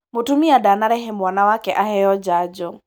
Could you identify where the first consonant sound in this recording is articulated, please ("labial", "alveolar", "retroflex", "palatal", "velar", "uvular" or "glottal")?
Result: labial